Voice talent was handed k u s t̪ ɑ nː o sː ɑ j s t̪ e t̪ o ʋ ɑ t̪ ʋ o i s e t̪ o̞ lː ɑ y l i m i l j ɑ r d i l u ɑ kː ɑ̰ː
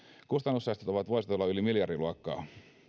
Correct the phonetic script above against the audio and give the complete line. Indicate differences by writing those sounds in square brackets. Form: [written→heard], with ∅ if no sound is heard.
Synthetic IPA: k u s t̪ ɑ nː [o→u] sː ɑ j s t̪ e t̪ o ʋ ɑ t̪ ʋ o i s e t̪ o̞ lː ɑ y l i m i l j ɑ r d i l u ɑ kː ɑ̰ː